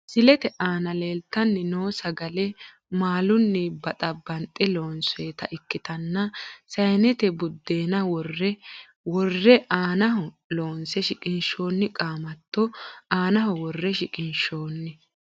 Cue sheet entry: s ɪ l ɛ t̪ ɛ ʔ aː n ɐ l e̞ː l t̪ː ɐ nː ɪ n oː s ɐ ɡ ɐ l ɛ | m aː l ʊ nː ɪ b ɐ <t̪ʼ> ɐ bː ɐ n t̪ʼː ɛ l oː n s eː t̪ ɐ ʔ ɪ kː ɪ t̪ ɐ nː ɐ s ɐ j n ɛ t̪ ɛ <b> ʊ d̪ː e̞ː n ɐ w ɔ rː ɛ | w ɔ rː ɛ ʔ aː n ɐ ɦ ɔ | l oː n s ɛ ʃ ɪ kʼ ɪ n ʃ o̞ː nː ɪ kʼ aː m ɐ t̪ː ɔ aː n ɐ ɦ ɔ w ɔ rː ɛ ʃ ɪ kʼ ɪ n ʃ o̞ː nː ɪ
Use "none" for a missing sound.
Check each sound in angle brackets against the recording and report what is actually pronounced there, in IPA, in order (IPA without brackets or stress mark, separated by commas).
t̪ʼ, b